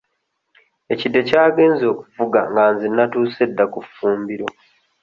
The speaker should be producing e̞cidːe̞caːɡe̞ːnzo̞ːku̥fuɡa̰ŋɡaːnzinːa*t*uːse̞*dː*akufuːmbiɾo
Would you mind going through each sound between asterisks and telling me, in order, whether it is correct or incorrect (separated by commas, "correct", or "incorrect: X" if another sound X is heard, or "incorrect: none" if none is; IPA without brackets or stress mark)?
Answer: correct, correct